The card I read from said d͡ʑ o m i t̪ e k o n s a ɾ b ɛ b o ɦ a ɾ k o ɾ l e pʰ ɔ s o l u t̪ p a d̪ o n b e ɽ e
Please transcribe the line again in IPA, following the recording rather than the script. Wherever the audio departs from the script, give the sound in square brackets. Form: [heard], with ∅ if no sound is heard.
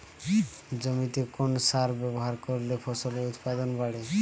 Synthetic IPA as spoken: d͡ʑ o m i t̪ e k o n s a ɾ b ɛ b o ɦ a ɾ k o ɾ l e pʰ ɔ s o l u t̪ p a d̪ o n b [a] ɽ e

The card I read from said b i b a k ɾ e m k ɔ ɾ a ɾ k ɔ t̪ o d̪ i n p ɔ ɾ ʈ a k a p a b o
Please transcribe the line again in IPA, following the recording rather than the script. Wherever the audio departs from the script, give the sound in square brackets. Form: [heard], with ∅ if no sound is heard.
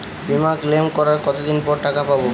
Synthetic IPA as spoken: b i [m] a k [l] e m k ɔ ɾ a ɾ k ɔ t̪ o d̪ i n p ɔ ɾ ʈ a k a p a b o

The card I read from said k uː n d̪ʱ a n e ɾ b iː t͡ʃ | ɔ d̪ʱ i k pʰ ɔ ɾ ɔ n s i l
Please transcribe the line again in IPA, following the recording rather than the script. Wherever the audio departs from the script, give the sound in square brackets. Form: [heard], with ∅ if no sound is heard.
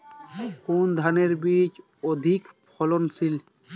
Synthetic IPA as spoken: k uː n d̪ʱ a n e ɾ b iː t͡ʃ | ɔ d̪ʱ i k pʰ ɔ [l] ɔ n s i l

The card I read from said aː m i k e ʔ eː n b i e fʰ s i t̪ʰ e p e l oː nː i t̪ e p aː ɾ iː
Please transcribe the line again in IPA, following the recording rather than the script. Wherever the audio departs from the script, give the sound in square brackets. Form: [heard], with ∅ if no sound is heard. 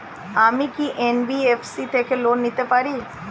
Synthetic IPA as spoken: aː m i k [i] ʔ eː n b i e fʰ s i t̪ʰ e [k] e l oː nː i t̪ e p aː ɾ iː

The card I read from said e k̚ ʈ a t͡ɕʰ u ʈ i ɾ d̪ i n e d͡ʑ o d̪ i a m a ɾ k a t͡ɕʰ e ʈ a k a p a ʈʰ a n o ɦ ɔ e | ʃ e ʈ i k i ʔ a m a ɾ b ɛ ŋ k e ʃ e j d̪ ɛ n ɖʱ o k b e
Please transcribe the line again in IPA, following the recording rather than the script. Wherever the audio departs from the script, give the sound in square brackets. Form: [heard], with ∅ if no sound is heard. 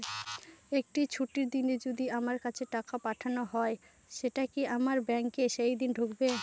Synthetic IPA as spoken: e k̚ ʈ [i] t͡ɕʰ u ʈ i ɾ d̪ i n e d͡ʑ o d̪ i a m a ɾ k a t͡ɕʰ e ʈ a k a p a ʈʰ a n o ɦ ɔ e | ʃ e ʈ [a] k i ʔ a m a ɾ b ɛ ŋ k e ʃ e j d̪ [i] n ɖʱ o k b e

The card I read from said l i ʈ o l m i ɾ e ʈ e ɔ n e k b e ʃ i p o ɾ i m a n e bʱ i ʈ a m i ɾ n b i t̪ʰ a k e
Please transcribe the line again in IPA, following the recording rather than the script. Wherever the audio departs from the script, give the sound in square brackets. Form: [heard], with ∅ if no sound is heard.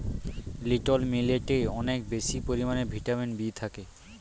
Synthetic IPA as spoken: l i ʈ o l m i [l] e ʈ e ɔ n e k b e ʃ i p o ɾ i m a n e bʱ i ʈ a m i [∅] n b i t̪ʰ a k e

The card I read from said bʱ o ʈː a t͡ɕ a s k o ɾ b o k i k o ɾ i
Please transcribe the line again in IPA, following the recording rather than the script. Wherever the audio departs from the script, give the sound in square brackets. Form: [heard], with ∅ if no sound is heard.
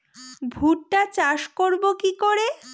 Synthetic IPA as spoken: bʱ [u] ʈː a t͡ɕ a [ʃ] k o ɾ b o k i k o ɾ [e]

